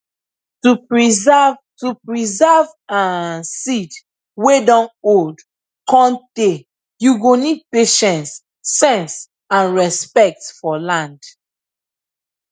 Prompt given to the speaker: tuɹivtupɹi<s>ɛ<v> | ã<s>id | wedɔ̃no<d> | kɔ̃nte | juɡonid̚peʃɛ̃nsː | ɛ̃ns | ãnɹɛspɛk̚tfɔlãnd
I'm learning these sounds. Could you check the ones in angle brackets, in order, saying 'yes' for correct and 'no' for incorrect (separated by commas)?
no, yes, yes, yes